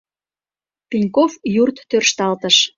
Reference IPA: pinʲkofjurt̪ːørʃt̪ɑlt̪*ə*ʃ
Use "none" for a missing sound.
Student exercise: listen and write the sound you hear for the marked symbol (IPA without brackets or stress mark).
ə